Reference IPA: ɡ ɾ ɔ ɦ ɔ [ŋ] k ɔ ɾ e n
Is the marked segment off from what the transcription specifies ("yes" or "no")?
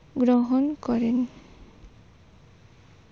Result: yes